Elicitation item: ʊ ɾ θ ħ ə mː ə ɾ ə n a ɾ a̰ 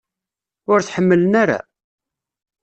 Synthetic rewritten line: ʊ ɾ θ ħ ə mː ə l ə n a ɾ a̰